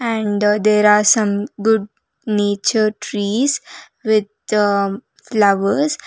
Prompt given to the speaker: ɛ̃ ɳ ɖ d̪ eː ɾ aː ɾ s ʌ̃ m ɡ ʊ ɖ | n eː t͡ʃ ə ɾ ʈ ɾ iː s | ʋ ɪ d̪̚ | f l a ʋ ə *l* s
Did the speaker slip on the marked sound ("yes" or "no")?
yes